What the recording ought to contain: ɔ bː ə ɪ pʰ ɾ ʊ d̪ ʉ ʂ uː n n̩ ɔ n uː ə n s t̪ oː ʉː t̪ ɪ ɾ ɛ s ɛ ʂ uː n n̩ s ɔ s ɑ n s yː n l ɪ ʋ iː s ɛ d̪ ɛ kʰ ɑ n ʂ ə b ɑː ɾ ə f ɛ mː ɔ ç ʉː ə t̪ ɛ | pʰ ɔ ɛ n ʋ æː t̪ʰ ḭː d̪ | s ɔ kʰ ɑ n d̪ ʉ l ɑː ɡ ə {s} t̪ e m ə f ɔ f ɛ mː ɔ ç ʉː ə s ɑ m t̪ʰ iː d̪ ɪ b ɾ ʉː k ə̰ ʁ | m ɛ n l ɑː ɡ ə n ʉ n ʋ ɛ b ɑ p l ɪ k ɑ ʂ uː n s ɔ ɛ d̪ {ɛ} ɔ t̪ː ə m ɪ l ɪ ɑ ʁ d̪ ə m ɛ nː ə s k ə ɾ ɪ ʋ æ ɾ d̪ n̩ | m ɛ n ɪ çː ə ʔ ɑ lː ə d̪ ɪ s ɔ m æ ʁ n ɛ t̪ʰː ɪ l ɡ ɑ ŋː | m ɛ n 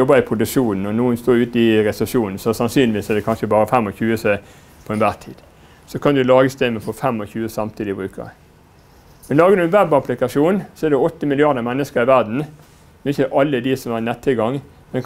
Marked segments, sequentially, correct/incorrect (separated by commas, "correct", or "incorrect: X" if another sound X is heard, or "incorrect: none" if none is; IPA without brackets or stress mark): correct, correct